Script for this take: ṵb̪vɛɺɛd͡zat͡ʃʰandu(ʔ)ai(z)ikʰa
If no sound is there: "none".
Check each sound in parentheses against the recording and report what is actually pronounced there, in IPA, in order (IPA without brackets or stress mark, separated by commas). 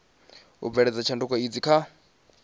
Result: k, d͡z